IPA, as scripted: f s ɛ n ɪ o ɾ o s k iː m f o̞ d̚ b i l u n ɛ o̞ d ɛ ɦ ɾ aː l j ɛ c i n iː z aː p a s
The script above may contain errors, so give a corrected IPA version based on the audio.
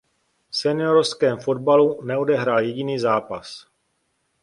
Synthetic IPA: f s ɛ n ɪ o ɾ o s k ɛː m f o̞ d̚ b a l u n ɛ o̞ d ɛ ɦ ɾ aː l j ɛ ɟ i n iː z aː p a s